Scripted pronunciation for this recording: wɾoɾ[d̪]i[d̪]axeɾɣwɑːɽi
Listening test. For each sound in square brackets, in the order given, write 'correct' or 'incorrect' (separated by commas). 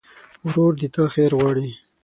correct, incorrect